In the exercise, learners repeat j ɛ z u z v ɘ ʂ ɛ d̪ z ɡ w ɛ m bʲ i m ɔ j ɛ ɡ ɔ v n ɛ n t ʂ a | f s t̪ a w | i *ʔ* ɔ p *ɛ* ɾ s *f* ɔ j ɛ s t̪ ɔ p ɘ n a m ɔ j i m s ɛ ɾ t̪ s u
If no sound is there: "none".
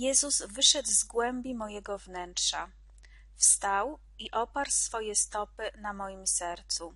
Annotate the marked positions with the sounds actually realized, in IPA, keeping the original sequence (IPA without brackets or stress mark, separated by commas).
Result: ʔ, a, f